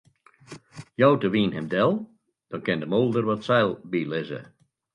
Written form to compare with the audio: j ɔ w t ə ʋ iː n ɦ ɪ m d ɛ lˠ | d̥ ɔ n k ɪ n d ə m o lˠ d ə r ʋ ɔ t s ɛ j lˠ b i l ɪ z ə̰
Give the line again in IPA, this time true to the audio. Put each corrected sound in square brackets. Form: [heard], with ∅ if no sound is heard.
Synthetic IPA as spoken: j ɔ w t ə ʋ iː n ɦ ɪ m d ɛ lˠ | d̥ ɔ n k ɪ n d ə m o lˠ d ə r ʋ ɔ t s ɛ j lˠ b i l ɪ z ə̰